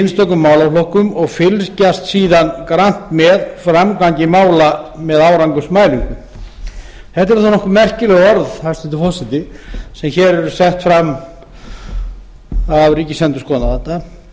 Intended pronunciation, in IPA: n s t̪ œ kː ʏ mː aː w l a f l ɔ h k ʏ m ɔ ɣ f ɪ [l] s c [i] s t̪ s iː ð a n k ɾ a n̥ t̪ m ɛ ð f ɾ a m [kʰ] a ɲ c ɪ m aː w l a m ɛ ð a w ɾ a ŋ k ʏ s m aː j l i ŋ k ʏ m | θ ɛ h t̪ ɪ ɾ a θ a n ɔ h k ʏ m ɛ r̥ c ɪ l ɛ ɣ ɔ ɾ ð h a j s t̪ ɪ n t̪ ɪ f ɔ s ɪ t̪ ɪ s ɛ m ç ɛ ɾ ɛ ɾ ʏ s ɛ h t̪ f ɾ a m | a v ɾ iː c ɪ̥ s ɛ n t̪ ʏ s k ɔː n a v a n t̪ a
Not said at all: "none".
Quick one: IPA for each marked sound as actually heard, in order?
l, a, k

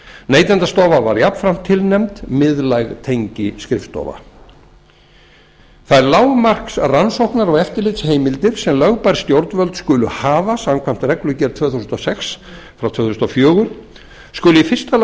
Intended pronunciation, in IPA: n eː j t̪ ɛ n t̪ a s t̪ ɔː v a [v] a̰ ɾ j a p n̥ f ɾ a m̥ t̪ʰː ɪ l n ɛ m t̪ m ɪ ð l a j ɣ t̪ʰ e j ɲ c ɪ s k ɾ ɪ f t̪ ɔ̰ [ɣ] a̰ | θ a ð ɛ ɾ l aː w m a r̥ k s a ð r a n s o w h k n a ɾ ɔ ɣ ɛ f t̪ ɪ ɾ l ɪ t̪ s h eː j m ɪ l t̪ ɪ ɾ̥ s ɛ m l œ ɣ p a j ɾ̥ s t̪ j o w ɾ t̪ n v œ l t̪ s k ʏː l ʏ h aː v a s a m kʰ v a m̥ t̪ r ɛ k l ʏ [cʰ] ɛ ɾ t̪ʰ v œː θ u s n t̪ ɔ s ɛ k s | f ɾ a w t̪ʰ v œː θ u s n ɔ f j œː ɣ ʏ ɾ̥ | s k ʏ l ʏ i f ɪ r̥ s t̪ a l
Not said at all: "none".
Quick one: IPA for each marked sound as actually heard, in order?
v, v, c

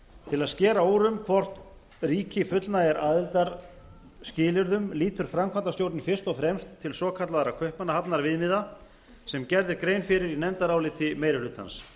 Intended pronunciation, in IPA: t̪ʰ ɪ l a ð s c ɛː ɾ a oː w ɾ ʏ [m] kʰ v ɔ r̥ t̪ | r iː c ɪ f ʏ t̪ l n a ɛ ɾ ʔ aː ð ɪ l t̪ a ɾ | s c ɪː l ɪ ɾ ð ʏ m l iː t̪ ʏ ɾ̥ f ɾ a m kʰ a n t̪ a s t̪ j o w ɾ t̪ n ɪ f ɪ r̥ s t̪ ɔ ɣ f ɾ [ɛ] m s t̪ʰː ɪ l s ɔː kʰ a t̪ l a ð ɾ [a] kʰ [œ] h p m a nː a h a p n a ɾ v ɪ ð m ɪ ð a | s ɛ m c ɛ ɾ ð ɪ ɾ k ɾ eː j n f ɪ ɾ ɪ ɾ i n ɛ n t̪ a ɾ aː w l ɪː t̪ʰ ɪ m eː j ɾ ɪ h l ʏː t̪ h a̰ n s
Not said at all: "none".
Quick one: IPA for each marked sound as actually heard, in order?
m, ɛ, a, œ

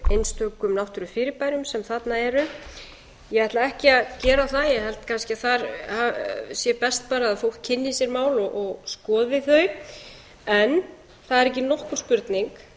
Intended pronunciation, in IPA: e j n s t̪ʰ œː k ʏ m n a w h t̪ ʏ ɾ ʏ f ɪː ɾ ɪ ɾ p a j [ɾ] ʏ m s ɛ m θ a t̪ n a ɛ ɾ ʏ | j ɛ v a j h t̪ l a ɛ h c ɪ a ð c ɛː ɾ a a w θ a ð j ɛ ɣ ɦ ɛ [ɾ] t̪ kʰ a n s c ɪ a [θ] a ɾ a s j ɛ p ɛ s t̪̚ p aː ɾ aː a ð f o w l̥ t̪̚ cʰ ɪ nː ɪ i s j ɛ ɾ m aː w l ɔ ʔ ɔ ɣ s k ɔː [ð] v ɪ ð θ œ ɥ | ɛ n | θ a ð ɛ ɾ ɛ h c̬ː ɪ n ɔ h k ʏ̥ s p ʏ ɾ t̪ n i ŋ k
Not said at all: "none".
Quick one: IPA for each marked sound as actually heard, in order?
ɾ, l, θ, ð

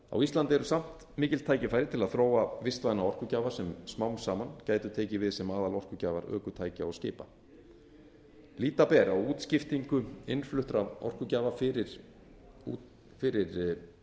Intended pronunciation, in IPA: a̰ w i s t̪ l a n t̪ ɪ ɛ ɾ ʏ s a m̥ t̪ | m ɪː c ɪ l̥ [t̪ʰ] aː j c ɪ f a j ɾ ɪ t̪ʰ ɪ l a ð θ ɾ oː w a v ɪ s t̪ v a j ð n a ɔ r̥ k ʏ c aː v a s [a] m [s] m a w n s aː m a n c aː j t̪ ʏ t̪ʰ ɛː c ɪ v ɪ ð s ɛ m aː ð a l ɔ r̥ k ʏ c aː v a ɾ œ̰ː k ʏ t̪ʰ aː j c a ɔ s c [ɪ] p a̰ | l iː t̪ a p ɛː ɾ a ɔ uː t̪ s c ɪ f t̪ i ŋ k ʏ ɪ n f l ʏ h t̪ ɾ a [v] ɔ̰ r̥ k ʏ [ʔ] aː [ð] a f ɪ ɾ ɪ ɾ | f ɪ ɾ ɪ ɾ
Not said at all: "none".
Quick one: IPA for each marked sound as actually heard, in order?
t̪ʰ, ɛ, s, ɪː, v, c, v

